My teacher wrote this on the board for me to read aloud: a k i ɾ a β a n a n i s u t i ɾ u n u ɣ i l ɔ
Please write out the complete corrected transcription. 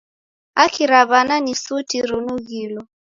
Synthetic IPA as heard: a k i ɾ a β a n a n i s u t i ɾ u n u ɣ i l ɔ